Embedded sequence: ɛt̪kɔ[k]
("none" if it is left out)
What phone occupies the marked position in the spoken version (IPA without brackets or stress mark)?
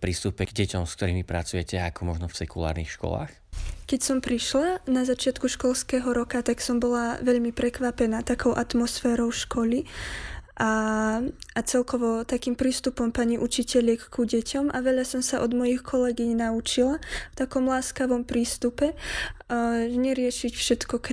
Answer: k